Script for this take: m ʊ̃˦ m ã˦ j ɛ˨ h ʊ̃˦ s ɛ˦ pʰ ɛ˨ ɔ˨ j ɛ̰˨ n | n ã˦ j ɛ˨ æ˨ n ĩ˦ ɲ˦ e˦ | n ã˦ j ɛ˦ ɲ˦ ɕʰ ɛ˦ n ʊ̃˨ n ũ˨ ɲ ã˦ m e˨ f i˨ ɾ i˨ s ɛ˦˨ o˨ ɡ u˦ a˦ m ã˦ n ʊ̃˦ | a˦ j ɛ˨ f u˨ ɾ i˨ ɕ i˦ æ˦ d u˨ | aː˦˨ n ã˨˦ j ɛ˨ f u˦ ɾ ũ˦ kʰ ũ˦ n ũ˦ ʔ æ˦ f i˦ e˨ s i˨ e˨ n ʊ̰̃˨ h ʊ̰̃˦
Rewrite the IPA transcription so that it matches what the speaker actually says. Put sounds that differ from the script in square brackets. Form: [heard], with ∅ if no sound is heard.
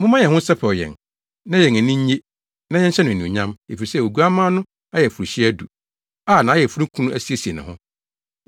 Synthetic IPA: m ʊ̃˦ m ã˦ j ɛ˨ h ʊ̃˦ s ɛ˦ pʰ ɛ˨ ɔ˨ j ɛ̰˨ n | n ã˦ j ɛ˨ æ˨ n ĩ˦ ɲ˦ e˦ | n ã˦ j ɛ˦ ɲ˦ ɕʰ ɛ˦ n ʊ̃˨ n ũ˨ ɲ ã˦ m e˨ f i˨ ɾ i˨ s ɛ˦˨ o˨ ɡ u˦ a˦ m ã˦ n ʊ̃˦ | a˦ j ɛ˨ f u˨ ɾ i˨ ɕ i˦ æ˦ d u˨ | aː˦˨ n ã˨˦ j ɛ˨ f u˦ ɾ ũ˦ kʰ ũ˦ n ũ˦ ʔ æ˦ [s] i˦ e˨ s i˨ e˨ n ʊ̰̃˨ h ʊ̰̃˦